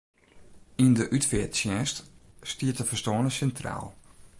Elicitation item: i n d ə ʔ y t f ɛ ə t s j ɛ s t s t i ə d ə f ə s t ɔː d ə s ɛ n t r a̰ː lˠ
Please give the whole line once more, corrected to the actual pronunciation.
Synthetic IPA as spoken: i n d ə ʔ y t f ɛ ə t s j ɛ s t s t i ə t ə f ə s t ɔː n ə s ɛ n t r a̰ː lˠ